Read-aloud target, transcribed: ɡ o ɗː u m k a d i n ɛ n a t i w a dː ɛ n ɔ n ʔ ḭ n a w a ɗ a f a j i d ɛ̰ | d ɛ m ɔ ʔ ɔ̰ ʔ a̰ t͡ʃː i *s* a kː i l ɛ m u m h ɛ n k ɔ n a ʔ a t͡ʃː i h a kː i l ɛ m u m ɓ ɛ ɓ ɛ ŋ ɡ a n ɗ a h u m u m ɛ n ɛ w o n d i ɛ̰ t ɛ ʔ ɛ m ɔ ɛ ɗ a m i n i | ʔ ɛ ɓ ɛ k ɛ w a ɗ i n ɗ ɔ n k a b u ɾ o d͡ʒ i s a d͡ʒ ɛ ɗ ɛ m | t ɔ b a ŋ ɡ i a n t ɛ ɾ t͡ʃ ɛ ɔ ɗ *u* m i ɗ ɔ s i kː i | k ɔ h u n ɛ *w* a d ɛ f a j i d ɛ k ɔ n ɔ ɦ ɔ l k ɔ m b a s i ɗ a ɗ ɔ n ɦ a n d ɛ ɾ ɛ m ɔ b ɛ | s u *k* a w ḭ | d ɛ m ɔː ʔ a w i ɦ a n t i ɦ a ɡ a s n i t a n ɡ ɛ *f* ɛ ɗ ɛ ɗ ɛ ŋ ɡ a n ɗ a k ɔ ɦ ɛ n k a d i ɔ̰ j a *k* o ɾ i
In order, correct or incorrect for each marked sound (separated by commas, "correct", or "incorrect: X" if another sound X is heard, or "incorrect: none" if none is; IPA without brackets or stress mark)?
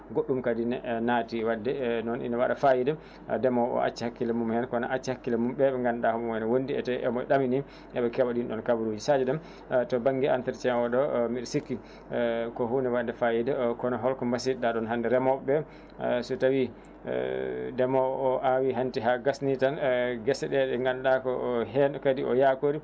incorrect: h, incorrect: ɔ, correct, incorrect: t, incorrect: s, correct